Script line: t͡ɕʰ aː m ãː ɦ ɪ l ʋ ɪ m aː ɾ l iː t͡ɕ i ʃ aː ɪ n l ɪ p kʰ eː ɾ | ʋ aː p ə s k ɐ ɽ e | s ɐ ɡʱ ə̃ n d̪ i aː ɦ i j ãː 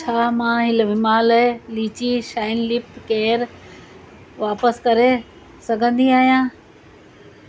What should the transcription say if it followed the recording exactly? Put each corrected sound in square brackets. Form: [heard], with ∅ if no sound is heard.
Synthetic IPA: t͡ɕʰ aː m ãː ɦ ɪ l ʋ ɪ m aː [l] l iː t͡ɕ i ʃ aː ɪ n l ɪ p [k] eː ɾ | ʋ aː p ə s k ɐ [ɾ] e | s ɐ ɡʱ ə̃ n d̪ i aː ɦ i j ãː